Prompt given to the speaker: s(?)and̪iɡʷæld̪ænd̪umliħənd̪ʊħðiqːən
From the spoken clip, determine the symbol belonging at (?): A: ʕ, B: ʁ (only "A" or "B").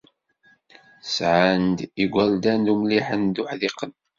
A